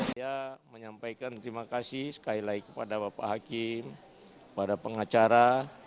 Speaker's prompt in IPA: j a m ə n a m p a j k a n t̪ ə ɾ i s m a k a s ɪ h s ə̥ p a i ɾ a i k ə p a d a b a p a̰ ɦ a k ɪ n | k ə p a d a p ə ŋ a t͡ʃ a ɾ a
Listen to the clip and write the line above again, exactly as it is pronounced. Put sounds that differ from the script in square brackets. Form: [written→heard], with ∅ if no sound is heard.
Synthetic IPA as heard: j a m ə [n→ɲ] a m p a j k a n t̪ ə ɾ i [s→∅] m a k a s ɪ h s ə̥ [p→k] a i [ɾ→l] a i k ə p a d a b a p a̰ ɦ a k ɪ [n→m] | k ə p a d a p ə ŋ a t͡ʃ a ɾ a